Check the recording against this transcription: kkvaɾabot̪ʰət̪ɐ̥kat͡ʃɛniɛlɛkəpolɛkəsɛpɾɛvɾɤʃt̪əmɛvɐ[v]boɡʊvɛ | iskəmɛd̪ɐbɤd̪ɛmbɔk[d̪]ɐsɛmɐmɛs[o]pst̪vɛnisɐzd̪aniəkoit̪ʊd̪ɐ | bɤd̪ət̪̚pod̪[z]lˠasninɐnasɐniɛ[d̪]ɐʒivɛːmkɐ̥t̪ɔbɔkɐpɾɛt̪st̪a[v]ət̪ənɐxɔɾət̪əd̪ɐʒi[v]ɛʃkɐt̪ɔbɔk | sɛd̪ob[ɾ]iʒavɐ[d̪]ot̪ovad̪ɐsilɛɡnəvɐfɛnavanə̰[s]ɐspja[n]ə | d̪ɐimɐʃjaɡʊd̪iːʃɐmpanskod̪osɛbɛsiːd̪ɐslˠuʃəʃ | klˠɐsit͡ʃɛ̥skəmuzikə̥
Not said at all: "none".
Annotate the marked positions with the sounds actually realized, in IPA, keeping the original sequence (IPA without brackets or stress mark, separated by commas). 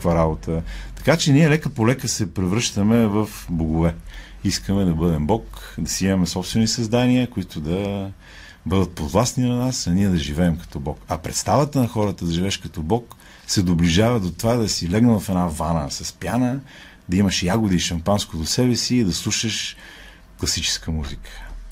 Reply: f, d̪, ɔ, v, d̪, v, v, l, d̪, s, n